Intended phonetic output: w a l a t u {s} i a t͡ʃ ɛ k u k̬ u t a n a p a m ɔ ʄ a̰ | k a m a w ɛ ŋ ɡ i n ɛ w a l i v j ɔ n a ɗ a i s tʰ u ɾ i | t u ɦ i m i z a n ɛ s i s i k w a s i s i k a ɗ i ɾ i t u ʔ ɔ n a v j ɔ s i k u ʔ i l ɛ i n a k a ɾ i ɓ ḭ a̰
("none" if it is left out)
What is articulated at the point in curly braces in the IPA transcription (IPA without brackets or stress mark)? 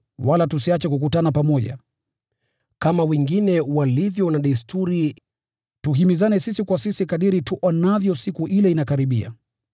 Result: s